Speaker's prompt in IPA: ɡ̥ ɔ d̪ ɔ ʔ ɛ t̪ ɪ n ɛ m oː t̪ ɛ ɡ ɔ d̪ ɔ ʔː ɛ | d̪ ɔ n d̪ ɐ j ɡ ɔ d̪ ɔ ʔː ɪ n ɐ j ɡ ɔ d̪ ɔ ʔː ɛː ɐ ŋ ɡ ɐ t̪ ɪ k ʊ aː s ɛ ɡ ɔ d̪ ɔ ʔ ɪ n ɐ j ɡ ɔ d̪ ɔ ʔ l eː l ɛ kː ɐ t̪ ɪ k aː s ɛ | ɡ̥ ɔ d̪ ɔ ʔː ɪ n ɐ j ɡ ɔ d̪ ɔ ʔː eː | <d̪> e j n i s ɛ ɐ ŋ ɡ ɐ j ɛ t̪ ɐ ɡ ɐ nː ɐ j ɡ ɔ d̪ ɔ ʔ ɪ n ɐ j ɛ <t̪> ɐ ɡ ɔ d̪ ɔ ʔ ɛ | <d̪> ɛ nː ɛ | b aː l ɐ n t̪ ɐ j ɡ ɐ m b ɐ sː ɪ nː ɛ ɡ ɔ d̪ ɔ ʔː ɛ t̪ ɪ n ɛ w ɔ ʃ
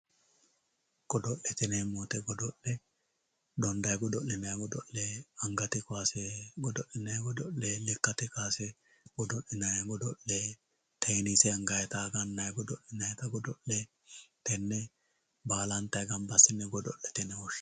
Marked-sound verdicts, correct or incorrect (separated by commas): incorrect, correct, incorrect